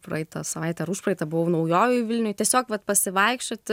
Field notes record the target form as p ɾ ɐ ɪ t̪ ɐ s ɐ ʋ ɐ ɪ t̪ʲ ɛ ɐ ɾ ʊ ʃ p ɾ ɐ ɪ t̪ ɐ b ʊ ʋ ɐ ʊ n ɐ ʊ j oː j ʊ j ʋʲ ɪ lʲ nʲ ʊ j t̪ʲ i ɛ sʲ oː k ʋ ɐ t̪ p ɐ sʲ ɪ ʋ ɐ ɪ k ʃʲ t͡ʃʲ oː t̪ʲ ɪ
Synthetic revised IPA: p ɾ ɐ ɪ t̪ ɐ s ɐ ʋ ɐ ɪ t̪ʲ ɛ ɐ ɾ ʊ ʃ p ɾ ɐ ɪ t̪ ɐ b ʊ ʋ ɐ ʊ n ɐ ʊ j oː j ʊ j ʋʲ ɪ lʲ nʲ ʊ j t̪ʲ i ɛ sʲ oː k ʋ ɐ t̪ p ɐ sʲ ɪ ʋ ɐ ɪ k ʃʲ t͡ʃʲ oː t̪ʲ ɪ